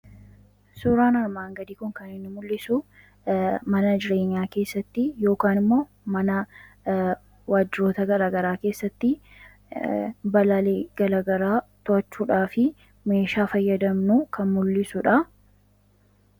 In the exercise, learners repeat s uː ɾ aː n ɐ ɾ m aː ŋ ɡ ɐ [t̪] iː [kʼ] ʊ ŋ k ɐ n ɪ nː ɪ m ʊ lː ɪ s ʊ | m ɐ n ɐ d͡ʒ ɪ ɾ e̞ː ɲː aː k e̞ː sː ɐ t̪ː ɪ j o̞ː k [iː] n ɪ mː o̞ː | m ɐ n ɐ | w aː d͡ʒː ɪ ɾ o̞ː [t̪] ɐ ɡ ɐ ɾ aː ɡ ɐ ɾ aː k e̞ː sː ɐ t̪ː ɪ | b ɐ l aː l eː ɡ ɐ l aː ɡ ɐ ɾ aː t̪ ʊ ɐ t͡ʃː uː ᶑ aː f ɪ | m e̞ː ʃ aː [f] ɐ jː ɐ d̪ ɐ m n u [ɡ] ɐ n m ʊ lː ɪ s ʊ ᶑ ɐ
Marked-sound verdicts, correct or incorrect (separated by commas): incorrect, incorrect, incorrect, correct, correct, incorrect